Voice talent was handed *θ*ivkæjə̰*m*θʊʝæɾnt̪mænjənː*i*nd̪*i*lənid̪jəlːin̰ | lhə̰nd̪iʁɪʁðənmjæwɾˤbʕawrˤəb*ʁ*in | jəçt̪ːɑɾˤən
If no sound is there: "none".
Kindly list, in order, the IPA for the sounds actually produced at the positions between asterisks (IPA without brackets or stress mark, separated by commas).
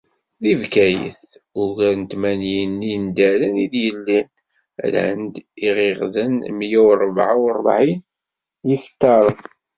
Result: ð, none, i, æ, ʕ